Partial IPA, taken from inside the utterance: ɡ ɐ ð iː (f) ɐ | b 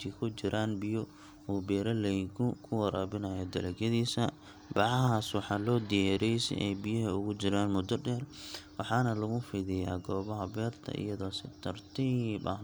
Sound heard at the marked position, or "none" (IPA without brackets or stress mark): s